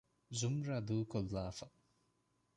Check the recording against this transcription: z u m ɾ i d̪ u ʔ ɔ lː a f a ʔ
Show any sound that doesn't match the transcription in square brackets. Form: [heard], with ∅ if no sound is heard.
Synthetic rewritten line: z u m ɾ [a] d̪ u [k] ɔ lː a f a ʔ